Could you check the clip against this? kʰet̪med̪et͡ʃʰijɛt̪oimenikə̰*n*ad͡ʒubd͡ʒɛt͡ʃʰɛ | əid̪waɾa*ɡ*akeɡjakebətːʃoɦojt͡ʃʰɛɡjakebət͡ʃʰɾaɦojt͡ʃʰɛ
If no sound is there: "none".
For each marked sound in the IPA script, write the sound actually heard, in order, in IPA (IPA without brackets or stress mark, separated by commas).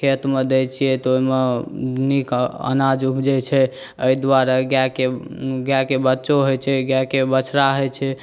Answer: n, ɡ